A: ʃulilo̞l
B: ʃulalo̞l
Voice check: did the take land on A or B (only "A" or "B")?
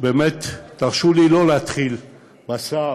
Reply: A